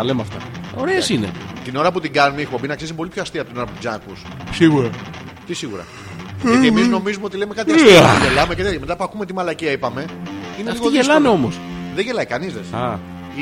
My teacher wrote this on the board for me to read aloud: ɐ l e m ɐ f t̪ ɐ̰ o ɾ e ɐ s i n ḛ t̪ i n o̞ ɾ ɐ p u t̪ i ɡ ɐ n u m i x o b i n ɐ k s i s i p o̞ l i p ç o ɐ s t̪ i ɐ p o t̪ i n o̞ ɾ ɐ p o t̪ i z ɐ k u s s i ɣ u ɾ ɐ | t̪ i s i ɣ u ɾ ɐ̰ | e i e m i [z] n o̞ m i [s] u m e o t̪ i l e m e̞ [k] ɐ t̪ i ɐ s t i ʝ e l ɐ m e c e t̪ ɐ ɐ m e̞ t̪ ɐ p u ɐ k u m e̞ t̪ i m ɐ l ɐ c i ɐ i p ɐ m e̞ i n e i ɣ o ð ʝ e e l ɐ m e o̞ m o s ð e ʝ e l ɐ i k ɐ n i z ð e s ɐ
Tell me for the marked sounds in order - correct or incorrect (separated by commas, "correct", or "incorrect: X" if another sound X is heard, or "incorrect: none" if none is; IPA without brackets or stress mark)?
correct, incorrect: z, correct